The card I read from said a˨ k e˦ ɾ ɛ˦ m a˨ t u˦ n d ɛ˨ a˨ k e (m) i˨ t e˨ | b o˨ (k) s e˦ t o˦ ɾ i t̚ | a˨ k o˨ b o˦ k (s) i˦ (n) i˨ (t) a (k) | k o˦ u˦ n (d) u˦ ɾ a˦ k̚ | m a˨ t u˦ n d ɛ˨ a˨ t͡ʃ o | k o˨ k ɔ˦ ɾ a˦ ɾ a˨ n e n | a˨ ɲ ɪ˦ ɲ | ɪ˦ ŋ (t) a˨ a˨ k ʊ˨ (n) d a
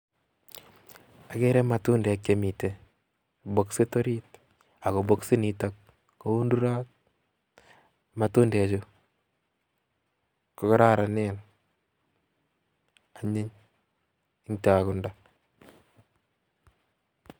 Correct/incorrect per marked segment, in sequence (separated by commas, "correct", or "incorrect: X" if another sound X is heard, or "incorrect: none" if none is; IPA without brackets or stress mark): correct, correct, correct, correct, correct, correct, correct, correct, correct